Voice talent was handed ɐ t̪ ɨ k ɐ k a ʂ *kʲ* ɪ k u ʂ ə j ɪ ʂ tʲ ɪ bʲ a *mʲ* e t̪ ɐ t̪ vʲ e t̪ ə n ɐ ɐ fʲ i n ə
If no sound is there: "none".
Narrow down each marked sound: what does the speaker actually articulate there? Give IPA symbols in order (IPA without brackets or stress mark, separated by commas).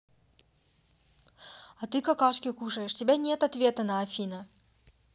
kʲ, nʲ